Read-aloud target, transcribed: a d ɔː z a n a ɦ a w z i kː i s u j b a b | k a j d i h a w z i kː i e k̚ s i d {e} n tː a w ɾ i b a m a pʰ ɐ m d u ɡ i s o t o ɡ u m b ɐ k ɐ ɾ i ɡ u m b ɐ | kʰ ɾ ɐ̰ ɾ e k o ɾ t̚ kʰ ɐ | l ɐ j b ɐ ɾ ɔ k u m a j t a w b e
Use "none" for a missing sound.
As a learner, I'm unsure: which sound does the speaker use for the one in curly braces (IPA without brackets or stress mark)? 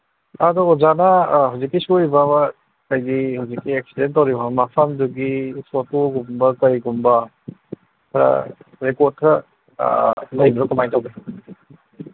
e